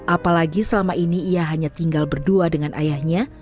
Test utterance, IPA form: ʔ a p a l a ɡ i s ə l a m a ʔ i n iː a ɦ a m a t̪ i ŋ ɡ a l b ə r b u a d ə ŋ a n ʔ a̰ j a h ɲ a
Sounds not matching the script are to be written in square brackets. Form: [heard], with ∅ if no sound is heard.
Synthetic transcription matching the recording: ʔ a p a l a ɡ i s ə l a m a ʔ i n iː a ɦ a [ɲ] a t̪ i ŋ ɡ a l b ə r [d] u a d ə ŋ a n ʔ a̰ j a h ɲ a